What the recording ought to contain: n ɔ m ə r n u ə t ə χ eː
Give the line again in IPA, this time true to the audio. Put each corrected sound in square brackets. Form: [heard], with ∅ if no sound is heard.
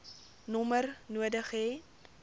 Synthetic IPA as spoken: n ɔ m ə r n u ə [d] ə χ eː